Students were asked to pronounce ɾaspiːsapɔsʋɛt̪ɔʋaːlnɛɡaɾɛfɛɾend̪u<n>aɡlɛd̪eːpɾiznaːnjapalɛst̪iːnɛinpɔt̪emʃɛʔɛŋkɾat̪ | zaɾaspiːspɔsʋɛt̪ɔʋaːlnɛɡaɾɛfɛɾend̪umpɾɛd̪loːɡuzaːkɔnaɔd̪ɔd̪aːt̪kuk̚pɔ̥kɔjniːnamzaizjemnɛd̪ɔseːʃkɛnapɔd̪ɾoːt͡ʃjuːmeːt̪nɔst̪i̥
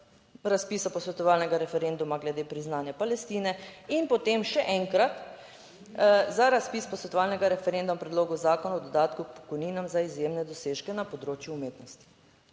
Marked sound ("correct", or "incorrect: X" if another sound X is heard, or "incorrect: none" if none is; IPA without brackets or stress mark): incorrect: m